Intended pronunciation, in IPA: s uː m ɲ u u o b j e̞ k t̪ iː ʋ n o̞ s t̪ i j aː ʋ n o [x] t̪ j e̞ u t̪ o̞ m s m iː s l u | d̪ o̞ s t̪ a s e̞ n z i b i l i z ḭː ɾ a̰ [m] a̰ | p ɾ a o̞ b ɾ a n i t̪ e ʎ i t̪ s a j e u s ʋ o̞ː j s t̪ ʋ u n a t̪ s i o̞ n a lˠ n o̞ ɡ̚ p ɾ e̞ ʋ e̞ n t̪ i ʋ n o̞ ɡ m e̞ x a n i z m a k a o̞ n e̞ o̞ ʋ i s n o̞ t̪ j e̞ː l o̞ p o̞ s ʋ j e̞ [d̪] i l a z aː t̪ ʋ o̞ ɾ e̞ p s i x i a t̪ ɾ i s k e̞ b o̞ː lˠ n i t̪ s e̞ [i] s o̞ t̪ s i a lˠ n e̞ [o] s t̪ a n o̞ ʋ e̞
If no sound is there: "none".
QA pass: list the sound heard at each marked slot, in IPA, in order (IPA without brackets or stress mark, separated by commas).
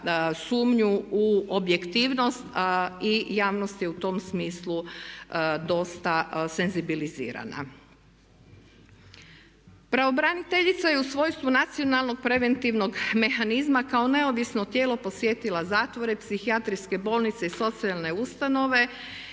s, n, t̪, i, u